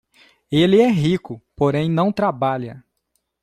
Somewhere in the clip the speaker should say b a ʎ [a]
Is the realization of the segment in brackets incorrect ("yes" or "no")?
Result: yes